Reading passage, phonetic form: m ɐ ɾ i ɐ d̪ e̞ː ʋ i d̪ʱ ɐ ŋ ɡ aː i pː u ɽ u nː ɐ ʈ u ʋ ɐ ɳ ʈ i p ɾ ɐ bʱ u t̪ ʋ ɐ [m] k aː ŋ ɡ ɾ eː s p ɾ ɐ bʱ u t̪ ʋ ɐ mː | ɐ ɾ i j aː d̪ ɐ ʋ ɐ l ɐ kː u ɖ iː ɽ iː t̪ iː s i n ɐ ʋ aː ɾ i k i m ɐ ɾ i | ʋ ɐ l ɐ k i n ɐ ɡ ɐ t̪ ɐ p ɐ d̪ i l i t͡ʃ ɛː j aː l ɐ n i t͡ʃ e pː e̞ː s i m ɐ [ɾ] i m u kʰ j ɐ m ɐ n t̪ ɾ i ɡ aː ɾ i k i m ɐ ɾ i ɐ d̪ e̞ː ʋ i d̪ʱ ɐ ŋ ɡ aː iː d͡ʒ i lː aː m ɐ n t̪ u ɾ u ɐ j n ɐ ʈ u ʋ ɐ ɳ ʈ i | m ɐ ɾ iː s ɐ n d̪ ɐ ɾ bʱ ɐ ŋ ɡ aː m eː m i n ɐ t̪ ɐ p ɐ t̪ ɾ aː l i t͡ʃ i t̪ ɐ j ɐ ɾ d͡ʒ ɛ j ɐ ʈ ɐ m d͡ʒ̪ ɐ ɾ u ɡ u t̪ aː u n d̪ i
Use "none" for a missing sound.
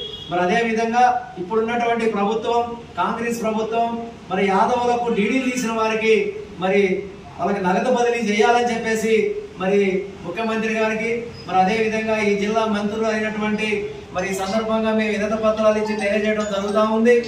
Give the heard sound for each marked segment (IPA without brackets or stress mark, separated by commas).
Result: m, ɾ